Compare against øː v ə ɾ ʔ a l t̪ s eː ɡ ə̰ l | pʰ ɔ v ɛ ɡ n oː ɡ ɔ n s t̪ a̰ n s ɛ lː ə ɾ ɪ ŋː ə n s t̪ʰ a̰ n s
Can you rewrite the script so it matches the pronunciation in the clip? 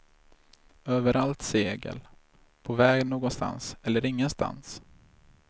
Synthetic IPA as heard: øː v ə ɾ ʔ a l t̪ s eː ɡ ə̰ l | pʰ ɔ v ɛː ɡ n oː ɡ ɔ n s t̪ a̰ n s ɛ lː ə ɾ ɪ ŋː ə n s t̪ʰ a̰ n s

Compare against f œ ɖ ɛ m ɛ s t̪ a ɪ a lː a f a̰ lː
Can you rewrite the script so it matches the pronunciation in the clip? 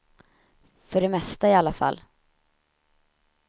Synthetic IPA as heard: f œ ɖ ɛ m ɛ s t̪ a ɪ a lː a f a̰ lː

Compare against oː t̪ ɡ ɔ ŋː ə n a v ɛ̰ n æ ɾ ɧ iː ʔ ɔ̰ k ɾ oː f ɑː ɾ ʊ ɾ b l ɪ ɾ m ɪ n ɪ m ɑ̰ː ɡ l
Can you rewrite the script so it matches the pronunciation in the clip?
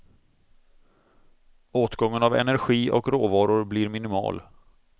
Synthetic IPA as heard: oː t̪ ɡ ɔ ŋː ə n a v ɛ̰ n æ ɾ ɧ iː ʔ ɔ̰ k ɾ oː v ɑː ɾ ʊ ɾ b l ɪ ɾ m ɪ n ɪ m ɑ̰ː l

